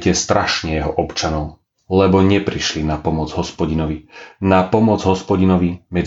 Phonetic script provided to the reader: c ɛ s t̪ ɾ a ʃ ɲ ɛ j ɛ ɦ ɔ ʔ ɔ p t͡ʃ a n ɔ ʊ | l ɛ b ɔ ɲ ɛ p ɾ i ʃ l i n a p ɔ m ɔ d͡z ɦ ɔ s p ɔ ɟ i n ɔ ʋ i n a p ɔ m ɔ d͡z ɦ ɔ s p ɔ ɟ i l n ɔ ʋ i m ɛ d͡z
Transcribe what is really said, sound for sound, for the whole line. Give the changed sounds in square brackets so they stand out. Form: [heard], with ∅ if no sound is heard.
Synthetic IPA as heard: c ɛ s t̪ ɾ a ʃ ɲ ɛ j ɛ ɦ ɔ ʔ ɔ p t͡ʃ a n ɔ ʊ | l ɛ b ɔ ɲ ɛ p ɾ i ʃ l i n a p ɔ m ɔ d͡z ɦ ɔ s p ɔ ɟ i n ɔ ʋ i n a p ɔ m ɔ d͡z ɦ ɔ s p ɔ ɟ i [∅] n ɔ ʋ i m ɛ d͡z